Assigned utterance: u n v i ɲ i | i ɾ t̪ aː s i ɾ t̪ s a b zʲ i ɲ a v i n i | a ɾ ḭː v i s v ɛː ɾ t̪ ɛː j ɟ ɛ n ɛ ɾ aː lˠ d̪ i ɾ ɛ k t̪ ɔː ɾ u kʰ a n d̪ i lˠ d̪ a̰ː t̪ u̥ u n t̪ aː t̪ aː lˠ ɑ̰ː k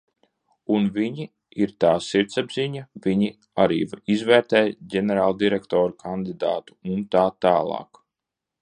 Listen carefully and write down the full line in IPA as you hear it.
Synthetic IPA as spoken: u n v i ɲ i | i ɾ t̪ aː s i ɾ t̪ s a b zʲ i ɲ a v i ɲ i | a ɾ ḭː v i z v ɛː ɾ t̪ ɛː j ɟ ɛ n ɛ ɾ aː lˠ d̪ i ɾ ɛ k t̪ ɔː ɾ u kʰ a n d̪ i d̪ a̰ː t̪ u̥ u n t̪ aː t̪ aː lˠ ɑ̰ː k